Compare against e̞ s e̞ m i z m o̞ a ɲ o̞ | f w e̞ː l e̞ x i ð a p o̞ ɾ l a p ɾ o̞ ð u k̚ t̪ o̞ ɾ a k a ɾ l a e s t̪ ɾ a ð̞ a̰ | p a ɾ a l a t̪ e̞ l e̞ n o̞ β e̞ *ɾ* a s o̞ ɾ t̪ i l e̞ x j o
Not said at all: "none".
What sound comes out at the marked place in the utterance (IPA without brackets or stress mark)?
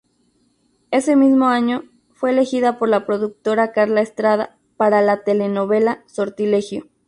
l